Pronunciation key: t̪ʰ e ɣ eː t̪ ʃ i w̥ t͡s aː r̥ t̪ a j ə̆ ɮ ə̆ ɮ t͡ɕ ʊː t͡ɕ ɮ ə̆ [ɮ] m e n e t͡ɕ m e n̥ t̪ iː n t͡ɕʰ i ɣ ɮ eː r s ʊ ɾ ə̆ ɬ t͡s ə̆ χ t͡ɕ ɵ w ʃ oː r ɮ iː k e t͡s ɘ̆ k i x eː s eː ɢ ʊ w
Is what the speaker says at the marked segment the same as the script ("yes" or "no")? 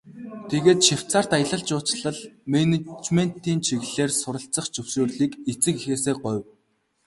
yes